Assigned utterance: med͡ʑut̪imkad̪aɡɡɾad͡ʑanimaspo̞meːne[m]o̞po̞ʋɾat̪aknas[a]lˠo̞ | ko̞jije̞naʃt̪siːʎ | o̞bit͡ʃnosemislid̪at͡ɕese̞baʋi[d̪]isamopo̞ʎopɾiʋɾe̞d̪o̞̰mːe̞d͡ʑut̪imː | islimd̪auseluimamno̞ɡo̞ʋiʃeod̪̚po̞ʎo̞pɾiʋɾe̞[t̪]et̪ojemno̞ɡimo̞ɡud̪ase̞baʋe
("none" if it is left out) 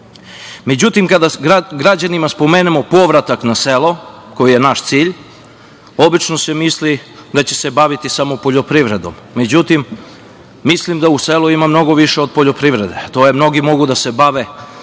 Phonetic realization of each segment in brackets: m, e, t̪, d̪

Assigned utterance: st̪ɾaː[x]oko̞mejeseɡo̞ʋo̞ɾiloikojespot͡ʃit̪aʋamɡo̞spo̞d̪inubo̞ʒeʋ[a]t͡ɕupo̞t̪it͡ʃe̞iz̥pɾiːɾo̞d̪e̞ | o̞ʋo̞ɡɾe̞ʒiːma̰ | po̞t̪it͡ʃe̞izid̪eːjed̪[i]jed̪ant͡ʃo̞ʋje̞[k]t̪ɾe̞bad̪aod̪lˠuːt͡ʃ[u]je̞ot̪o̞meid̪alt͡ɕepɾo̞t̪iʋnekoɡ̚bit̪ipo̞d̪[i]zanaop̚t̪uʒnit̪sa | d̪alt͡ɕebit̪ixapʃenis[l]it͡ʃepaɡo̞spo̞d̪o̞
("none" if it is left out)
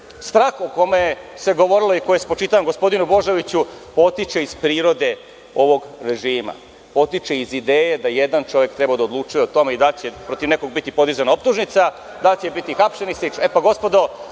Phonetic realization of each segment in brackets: x, i, a, k, u, i, l

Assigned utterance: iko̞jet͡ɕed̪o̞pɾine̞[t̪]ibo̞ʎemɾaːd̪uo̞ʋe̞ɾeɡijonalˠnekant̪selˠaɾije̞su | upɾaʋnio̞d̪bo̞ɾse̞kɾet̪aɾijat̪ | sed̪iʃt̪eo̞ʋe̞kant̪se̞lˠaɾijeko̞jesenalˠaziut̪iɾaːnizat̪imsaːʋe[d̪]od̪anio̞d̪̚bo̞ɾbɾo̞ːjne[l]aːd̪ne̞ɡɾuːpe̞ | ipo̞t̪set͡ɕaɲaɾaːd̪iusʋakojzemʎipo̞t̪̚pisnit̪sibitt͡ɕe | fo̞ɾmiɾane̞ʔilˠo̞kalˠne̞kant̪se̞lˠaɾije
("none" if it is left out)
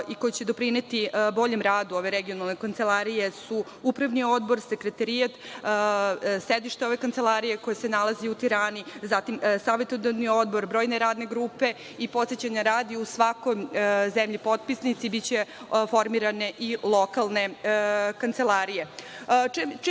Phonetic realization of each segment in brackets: t̪, t̪, ɾ

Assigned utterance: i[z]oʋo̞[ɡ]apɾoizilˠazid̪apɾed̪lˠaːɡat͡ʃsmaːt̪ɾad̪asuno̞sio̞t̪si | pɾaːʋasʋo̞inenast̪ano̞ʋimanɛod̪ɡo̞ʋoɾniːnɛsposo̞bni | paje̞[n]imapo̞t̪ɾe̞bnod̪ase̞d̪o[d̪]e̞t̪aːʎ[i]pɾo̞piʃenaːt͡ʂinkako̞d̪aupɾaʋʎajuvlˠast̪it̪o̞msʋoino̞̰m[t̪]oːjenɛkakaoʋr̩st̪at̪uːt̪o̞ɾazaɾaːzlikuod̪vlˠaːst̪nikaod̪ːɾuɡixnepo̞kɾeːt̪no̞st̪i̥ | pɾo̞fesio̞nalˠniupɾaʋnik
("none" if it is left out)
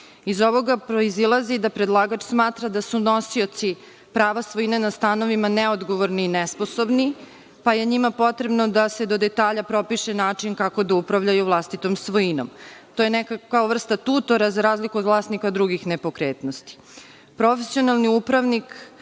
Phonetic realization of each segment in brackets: z, ɡ, ɲ, d̪, a, t̪

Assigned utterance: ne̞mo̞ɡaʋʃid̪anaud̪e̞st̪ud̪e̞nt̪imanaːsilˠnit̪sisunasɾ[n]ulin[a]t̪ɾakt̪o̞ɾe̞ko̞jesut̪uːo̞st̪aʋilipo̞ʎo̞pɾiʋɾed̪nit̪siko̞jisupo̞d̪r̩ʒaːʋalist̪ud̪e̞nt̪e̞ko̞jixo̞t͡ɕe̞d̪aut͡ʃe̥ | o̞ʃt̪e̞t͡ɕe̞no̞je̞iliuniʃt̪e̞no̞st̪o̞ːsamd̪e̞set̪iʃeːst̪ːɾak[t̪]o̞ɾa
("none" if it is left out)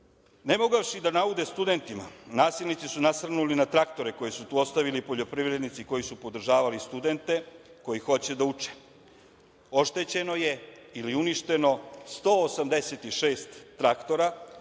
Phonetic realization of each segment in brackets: n, a, t̪

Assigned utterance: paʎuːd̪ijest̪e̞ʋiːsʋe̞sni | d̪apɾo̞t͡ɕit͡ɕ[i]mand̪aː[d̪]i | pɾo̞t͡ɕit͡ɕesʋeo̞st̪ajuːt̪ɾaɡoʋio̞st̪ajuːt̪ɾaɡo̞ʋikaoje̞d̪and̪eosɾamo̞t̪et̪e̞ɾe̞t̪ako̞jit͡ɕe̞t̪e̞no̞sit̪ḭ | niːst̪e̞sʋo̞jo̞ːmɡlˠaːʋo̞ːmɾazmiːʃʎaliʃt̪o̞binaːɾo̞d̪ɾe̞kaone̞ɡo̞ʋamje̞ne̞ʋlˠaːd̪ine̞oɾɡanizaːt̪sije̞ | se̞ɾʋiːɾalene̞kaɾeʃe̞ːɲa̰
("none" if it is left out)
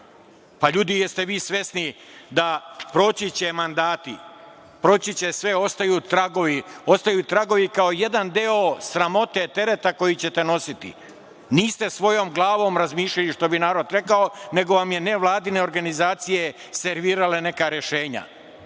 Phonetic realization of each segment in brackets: e, t̪

